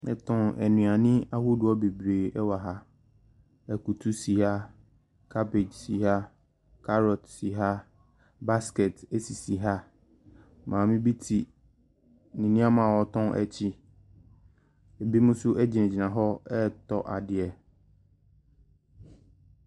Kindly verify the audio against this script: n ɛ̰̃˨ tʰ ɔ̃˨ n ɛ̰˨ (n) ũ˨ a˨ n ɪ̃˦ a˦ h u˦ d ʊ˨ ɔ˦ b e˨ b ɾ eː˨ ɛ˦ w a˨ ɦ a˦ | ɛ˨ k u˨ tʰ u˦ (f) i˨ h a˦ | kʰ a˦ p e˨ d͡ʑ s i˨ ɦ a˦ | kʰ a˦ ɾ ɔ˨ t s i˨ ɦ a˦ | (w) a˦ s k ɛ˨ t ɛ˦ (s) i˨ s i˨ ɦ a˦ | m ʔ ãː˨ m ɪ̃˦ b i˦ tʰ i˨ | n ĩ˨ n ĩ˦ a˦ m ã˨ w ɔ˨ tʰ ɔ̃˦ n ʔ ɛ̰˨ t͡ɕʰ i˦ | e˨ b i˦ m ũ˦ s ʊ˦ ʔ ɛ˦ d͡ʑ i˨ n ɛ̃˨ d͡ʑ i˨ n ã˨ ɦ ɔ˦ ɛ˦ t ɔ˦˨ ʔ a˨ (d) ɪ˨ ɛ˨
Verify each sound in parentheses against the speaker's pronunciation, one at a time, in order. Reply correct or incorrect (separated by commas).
correct, incorrect, incorrect, correct, correct